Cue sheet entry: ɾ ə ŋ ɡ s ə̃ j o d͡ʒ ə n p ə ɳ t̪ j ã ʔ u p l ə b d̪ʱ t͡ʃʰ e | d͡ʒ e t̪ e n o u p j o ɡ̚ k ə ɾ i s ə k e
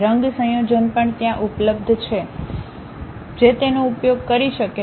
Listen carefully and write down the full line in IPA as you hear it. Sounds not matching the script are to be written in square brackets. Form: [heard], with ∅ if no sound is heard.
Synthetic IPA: ɾ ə ŋ ɡ s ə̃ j o d͡ʒ ə n p ə ɳ t̪ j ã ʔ u p l ə b d̪ʱ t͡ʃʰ e | d͡ʒ e t̪ e n o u p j o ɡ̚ k ə ɾ i [ʃ] ə k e